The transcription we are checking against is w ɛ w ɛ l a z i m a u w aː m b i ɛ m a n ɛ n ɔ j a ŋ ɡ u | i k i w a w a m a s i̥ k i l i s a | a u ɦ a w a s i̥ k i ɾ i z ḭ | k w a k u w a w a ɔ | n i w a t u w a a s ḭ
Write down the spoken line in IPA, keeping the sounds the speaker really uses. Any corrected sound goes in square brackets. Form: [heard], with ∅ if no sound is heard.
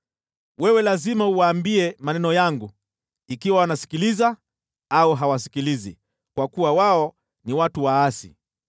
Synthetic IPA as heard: w ɛ w ɛ l a z i m a u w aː m b i ɛ m a n ɛ n ɔ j a ŋ ɡ u | i k i w a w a [n] a s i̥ k i l i [z] a | a u ɦ a w a s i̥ k i [l] i z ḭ | k w a k u w a w a ɔ | n i w a t u w a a s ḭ